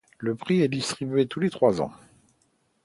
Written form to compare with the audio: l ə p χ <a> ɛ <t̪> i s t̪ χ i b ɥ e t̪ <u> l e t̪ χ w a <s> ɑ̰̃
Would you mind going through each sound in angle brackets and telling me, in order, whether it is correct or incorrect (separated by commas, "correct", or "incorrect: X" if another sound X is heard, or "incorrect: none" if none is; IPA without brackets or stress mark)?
incorrect: i, incorrect: d̪, correct, incorrect: z